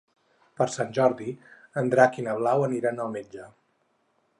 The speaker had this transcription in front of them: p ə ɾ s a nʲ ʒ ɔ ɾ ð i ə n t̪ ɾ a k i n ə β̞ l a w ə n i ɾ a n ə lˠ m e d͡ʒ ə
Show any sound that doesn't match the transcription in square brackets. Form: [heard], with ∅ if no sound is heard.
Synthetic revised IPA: p ə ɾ s a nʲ ʒ ɔ ɾ ð i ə n [d̪] ɾ a k i n ə β̞ l a w ə n i ɾ a n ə lˠ m e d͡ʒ ə